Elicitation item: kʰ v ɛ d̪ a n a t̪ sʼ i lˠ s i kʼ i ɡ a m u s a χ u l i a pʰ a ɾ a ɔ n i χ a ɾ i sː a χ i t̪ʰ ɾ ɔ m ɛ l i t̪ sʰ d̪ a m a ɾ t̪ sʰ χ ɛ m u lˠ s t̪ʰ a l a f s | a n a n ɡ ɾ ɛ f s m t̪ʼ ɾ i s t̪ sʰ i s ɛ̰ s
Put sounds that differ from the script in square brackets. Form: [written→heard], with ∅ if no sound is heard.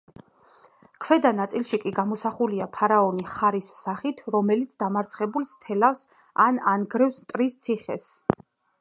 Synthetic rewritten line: kʰ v ɛ d̪ a n a t̪ sʼ i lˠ [s→ʃ] i kʼ i ɡ a m [u→ɔ] s a χ u l i a pʰ a ɾ a ɔ n i χ a ɾ i sː a χ i t̪ʰ ɾ ɔ m ɛ l i t̪ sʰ d̪ a m a ɾ t̪ sʰ χ ɛ [m→b] u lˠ s t̪ʰ [a→ɛ] l a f s | a n a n ɡ ɾ ɛ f s m t̪ʼ ɾ i s t̪ sʰ i [s→χ] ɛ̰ s